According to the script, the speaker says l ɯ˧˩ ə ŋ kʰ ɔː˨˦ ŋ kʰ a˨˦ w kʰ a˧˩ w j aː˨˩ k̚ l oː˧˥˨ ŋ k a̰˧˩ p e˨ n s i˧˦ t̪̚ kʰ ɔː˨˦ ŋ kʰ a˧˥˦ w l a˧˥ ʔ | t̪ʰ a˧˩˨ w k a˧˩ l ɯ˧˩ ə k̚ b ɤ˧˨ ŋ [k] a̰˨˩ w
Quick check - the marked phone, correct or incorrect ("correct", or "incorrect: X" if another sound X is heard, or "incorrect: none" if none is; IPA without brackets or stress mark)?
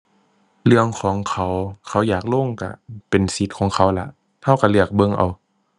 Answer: incorrect: ʔ